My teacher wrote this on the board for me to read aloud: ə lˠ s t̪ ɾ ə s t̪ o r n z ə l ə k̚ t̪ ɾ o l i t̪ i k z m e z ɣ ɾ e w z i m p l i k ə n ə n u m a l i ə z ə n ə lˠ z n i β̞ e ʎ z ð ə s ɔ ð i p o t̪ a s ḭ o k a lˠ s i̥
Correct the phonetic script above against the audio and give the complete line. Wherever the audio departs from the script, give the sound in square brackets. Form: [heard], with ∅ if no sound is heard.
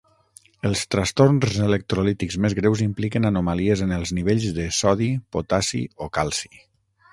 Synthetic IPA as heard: ə lˠ s t̪ ɾ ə s t̪ o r n z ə l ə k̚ t̪ ɾ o l i t̪ i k z m e z ɣ ɾ e w z i m p l i k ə n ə n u m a l i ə z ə n ə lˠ z n i β̞ e ʎ z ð ə s ɔ ð i p o t̪ a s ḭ o k a lˠ s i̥